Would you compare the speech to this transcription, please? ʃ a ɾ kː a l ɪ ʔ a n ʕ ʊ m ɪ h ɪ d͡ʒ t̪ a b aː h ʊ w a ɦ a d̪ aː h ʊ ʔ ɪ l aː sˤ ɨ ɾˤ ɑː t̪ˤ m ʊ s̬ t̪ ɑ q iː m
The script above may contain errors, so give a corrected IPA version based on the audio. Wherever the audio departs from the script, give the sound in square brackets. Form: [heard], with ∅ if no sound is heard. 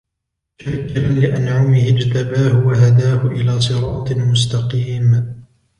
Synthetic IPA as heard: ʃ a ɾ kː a l ɪ ʔ a n ʕ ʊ m ɪ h ɪ d͡ʒ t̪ a b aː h ʊ w a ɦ a d̪ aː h ʊ ʔ ɪ l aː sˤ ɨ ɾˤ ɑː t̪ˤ m ʊ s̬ t̪ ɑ q iː m